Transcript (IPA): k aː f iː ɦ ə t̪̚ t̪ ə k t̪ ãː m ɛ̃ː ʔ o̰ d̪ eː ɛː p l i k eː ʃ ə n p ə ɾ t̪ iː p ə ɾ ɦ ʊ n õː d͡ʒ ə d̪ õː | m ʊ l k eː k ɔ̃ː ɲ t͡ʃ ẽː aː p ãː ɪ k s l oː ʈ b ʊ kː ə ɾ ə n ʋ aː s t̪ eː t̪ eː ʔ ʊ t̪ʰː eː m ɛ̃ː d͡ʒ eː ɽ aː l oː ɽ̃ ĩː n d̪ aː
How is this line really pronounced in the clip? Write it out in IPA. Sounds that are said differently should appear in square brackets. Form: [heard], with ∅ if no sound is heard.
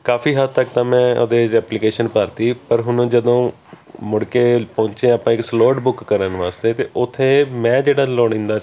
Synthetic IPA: k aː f iː ɦ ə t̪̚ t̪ ə k t̪ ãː m ɛ̃ː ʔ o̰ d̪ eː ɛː p l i k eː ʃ ə n p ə ɾ t̪ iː p ə ɾ ɦ ʊ n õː d͡ʒ ə d̪ õː | m ʊ [ɽ] k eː [p] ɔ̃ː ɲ t͡ʃ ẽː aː p ãː ɪ k s l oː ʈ b ʊ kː ə ɾ ə n ʋ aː s t̪ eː t̪ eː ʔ ʊ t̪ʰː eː m ɛ̃ː d͡ʒ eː ɽ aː l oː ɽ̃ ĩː n d̪ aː